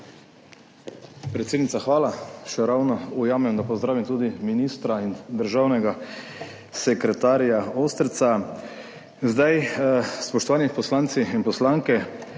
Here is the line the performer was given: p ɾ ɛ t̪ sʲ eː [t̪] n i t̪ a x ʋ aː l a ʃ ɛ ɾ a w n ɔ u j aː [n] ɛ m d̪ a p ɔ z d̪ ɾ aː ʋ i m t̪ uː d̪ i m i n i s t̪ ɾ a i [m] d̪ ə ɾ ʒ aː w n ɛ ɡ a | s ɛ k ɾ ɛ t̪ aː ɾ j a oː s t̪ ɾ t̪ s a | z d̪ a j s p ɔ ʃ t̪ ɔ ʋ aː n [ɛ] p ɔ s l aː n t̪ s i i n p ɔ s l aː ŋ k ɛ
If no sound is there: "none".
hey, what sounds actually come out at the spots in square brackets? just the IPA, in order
d̪, m, n, i

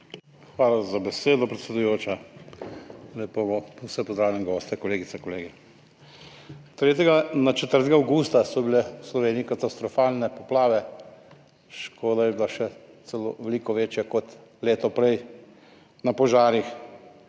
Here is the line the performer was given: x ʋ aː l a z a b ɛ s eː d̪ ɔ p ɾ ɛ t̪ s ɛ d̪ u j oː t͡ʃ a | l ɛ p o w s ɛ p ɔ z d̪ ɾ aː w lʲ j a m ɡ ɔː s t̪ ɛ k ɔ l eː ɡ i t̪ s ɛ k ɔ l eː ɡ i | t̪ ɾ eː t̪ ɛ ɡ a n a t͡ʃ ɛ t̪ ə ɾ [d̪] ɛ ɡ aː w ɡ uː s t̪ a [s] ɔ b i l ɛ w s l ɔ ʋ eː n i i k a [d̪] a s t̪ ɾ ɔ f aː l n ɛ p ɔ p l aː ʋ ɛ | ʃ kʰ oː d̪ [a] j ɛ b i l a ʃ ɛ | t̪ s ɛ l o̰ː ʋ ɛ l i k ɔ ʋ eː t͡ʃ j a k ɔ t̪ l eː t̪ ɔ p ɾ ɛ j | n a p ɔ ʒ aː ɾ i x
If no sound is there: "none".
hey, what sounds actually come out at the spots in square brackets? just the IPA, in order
t̪, s, t̪, a

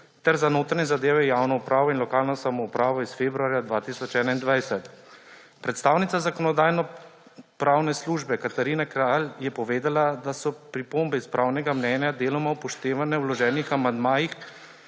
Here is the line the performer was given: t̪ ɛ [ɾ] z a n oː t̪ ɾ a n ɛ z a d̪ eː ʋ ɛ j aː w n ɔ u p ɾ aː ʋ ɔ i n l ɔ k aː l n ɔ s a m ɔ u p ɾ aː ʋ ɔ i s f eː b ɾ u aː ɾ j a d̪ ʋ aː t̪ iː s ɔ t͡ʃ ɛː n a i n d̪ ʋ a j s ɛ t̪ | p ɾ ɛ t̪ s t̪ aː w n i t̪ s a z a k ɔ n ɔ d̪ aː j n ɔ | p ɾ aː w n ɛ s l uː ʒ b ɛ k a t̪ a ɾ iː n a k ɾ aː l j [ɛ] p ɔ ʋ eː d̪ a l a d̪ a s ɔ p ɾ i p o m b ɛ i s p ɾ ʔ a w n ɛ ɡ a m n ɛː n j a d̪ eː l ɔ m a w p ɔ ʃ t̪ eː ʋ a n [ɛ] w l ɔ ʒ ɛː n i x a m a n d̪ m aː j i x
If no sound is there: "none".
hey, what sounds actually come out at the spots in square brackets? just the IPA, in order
ɾ, ɛ, ɛ

